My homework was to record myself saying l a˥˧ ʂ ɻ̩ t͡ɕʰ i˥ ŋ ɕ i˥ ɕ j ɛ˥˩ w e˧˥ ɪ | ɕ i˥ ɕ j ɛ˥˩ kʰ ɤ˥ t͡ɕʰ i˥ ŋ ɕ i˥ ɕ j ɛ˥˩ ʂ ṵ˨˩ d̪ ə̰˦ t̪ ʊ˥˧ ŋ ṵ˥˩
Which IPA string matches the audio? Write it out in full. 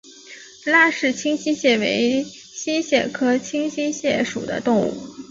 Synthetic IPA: l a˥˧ ʂ ɻ̩ t͡ɕʰ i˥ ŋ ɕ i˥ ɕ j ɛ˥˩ w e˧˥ ɪ | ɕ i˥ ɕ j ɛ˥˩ kʰ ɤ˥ t͡ɕʰ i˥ ŋ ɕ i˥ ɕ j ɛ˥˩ ʂ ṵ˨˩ d̪ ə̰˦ t̪ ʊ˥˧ ŋ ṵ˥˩